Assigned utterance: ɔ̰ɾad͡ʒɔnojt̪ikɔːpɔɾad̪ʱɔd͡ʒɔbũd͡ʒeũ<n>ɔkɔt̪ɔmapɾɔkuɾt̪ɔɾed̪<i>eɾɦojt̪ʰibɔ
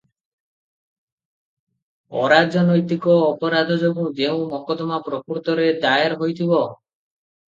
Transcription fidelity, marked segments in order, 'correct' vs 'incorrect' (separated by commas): incorrect, incorrect